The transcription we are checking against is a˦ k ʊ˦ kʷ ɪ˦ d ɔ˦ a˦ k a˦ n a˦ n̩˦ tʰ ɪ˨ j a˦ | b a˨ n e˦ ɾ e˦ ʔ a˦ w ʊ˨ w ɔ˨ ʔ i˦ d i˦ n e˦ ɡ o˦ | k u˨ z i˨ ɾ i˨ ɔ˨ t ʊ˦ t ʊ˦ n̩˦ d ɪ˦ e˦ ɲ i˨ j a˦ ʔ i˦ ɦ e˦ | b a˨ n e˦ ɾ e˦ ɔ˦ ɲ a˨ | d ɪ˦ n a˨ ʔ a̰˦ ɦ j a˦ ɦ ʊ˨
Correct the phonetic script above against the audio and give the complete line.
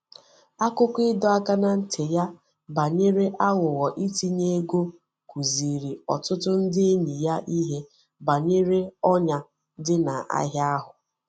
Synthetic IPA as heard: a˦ k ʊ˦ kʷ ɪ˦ d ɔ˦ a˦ k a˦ n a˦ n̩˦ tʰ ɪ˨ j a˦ | b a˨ ɲ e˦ ɾ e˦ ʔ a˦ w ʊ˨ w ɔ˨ ʔ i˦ t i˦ ɲ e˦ ɡ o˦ | k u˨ z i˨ ɾ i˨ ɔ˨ t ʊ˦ t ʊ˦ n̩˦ d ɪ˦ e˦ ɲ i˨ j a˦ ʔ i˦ ɦ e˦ | b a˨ ɲ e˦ ɾ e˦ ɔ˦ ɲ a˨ | d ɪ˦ n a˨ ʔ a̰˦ ɦ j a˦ ɦ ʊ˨